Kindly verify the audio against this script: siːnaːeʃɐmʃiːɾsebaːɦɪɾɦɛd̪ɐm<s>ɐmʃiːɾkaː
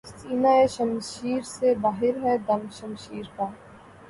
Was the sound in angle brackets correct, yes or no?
no